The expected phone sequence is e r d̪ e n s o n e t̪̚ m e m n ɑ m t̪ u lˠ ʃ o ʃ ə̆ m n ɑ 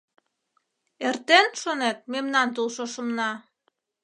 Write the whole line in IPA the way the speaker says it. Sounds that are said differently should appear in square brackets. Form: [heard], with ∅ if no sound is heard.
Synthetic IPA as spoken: e r [t̪] e n [ʃ] o n e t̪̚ m e m n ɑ [n] t̪ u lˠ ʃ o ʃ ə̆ m n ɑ